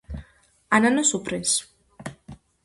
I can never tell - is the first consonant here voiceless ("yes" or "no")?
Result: no